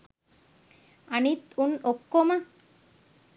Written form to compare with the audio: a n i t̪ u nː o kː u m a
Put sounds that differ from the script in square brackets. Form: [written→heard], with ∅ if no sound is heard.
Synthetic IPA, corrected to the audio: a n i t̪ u [nː→n] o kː [u→o] m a